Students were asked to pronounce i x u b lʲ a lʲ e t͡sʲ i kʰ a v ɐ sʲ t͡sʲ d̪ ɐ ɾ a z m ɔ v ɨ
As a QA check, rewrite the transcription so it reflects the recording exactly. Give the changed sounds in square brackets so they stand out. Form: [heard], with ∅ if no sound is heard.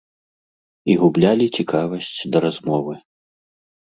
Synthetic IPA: i [ɣ] u b lʲ a lʲ [i] t͡sʲ i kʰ a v ɐ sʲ t͡sʲ d̪ ɐ ɾ a z m ɔ v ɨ